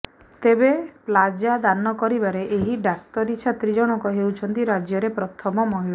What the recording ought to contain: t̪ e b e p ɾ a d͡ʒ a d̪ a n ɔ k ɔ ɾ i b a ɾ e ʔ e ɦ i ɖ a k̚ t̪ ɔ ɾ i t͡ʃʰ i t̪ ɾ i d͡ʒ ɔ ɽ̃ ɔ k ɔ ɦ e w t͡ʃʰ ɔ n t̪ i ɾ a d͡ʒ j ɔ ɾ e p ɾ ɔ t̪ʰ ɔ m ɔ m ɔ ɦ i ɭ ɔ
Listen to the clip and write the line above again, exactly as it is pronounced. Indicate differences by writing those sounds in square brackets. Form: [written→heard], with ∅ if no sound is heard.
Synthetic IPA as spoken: t̪ e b e p [ɾ→l] a d͡ʒ a d̪ a n ɔ k ɔ ɾ i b a ɾ e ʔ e ɦ i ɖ a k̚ t̪ ɔ ɾ i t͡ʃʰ [i→a] t̪ ɾ i d͡ʒ ɔ ɽ̃ ɔ k ɔ ɦ e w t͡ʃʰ ɔ n t̪ i ɾ a d͡ʒ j ɔ ɾ e p ɾ ɔ t̪ʰ ɔ m ɔ m ɔ ɦ i ɭ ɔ